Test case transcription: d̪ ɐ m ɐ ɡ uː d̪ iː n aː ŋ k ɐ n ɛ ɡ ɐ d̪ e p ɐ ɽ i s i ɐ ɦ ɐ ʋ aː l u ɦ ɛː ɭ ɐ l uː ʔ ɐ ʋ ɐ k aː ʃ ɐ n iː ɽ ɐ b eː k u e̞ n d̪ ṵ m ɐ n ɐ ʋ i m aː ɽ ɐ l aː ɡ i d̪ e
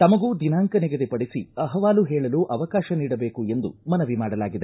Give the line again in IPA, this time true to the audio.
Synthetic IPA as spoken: t̪ ɐ m ɐ ɡ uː d̪ i n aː ŋ k ɐ n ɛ ɡ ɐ d̪ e p ɐ ɽ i s i ɐ ɦ ɐ ʋ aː l u ɦ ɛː ɭ ɐ l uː ʔ ɐ ʋ ɐ k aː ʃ ɐ n iː ɽ ɐ b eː k u e̞ n d̪ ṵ m ɐ n ɐ ʋ i m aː ɽ ɐ l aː ɡ i d̪ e